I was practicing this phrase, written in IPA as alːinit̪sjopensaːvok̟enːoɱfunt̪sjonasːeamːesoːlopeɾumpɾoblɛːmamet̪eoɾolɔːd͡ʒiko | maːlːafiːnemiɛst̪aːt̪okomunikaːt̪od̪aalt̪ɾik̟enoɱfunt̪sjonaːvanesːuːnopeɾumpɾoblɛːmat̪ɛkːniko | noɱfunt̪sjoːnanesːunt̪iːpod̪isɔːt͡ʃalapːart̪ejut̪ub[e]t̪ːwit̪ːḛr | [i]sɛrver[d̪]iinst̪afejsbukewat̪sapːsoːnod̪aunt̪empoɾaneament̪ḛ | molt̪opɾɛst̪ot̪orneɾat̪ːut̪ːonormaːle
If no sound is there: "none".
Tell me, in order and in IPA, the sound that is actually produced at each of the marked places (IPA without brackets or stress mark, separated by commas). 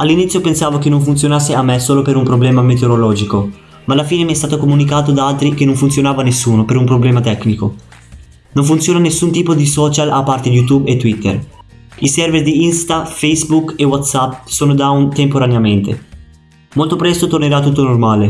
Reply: e, i, d̪